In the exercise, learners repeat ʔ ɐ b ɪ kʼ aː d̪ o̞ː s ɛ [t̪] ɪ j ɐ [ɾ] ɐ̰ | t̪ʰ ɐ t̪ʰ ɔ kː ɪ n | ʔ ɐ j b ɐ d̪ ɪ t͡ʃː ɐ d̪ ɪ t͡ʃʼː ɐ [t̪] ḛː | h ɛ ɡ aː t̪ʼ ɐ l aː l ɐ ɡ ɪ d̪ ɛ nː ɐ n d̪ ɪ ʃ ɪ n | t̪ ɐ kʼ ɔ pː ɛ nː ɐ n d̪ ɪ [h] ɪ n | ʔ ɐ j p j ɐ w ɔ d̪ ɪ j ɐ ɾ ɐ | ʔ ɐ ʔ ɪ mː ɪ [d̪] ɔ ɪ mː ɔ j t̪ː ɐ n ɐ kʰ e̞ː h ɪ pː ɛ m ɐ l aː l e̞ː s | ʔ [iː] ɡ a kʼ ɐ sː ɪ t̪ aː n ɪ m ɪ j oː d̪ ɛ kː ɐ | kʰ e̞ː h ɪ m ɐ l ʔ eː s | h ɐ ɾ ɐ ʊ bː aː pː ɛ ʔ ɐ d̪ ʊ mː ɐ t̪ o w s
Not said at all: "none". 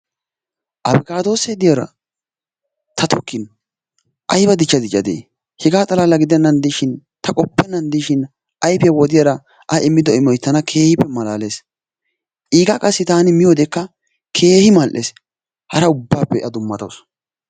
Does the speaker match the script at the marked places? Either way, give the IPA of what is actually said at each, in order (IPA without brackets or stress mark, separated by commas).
d̪, ɾ, d̪, ʃ, d̪, iː